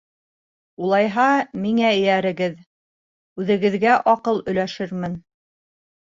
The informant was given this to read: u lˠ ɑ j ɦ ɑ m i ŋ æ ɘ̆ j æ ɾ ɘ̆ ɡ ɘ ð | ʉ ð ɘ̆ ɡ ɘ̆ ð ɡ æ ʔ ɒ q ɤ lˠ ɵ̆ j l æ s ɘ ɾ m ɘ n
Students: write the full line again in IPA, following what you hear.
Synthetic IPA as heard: u lˠ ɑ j ɦ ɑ m i ŋ æ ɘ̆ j æ ɾ ɘ̆ ɡ ɘ ð | ʉ ð ɘ̆ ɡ ɘ̆ ð ɡ æ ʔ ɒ q ɤ lˠ ɵ̆ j l æ ʃ ɘ ɾ m ɘ n